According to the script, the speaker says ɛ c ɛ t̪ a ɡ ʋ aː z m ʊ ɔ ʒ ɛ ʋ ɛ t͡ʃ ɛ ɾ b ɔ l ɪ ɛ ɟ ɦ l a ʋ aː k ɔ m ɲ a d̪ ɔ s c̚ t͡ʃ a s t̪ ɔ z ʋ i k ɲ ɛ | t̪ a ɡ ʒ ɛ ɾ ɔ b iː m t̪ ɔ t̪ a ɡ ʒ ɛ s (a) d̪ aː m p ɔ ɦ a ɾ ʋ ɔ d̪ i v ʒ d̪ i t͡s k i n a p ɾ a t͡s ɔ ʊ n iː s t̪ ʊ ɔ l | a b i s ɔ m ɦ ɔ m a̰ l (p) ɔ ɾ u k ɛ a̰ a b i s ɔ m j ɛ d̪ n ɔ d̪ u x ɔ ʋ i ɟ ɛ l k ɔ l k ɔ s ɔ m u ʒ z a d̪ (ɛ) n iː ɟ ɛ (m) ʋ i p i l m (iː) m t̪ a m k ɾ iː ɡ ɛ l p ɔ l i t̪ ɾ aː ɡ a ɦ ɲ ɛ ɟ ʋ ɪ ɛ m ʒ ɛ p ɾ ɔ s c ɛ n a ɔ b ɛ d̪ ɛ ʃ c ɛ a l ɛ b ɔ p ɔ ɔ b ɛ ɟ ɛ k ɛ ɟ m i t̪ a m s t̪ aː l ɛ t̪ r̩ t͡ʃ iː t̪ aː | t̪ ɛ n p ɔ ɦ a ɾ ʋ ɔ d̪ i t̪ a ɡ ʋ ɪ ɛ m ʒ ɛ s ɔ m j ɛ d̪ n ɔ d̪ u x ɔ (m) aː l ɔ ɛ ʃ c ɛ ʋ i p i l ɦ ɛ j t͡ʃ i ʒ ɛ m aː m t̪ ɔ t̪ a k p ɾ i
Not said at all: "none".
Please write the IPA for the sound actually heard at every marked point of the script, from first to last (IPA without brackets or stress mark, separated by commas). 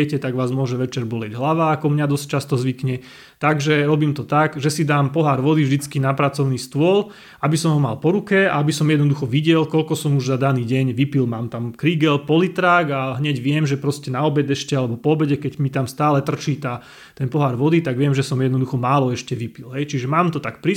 i, p, a, ɲ, aː, m